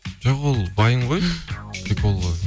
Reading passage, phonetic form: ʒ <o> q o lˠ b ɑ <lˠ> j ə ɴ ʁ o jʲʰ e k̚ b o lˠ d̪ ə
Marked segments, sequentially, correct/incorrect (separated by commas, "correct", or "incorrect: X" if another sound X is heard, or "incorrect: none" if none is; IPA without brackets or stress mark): correct, incorrect: none